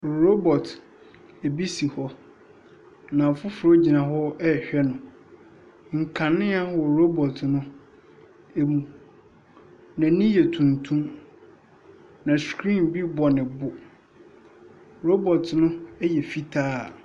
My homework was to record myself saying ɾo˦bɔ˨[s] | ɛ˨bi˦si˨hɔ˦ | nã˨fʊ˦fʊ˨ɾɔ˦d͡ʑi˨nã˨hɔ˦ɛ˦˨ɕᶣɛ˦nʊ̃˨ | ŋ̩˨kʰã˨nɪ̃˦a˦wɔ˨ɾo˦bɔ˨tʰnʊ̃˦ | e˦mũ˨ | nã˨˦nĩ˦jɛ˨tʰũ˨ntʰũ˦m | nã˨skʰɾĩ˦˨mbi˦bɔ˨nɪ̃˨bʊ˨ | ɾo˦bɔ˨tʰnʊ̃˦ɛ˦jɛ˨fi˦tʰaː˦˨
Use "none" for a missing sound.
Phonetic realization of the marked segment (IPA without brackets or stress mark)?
t